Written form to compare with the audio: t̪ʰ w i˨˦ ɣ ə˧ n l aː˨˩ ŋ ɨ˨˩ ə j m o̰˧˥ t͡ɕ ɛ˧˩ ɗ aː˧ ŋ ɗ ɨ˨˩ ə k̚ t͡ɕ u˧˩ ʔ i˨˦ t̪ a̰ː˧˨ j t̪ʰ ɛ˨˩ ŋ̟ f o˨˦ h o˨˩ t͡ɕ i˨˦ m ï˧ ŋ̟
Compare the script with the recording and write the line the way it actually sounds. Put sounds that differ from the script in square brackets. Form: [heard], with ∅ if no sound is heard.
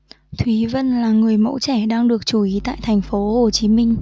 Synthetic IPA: t̪ʰ w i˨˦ [v] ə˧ n l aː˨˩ ŋ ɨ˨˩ ə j m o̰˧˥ t͡ɕ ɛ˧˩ ɗ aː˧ ŋ ɗ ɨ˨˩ ə k̚ t͡ɕ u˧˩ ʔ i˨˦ t̪ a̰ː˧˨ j t̪ʰ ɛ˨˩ ŋ̟ f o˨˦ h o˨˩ t͡ɕ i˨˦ m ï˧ ŋ̟